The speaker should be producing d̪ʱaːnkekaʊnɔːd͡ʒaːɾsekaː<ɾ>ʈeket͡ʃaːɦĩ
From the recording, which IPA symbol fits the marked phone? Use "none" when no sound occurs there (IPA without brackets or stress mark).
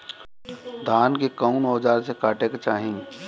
none